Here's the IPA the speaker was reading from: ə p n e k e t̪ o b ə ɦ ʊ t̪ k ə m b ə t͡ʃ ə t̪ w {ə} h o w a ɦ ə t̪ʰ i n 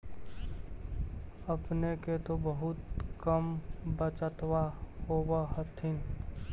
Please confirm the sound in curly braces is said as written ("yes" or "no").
no